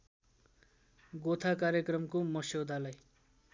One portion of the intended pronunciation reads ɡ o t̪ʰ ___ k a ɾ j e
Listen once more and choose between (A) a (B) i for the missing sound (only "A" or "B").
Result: A